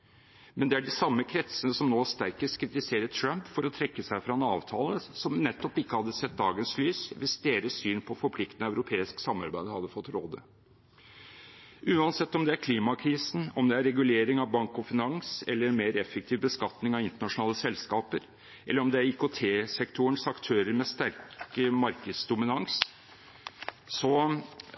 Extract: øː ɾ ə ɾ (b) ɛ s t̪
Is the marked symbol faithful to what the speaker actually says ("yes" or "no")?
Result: no